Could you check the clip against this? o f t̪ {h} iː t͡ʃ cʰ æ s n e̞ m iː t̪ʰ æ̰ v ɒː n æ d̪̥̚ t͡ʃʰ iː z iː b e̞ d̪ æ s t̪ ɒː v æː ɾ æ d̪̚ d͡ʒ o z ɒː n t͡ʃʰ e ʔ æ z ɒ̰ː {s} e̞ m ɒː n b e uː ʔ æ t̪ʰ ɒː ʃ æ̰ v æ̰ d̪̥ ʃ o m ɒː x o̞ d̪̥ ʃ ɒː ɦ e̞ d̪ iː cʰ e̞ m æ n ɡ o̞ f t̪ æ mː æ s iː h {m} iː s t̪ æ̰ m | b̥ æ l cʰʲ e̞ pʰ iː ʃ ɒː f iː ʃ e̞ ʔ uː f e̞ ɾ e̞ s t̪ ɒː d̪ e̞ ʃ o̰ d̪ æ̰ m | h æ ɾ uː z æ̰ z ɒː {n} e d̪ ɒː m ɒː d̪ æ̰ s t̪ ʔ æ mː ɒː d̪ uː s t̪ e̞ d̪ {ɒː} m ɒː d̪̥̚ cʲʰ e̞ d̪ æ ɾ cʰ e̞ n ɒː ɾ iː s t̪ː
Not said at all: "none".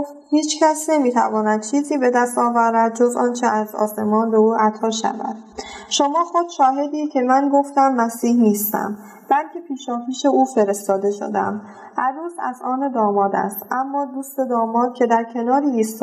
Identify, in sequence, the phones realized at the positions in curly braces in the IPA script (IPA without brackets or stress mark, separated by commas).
h, s, n, n, ɒː